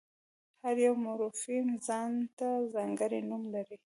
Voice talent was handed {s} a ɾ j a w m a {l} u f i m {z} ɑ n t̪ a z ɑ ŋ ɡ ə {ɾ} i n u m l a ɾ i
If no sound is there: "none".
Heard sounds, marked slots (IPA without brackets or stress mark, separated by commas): h, ɾ, z, ɾ